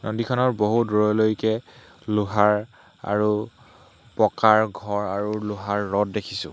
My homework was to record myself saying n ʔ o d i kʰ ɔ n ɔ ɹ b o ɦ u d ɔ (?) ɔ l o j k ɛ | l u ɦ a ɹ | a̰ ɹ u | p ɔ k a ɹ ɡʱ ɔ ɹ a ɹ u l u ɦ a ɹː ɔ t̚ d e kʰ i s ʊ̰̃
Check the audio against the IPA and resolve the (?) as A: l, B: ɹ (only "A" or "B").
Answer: B